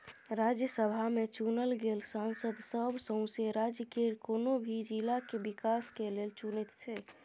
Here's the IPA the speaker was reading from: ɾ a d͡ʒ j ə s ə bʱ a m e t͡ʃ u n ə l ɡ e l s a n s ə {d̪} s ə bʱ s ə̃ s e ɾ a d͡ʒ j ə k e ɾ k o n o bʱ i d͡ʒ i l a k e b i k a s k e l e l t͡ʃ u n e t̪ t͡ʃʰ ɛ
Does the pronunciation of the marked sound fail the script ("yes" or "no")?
no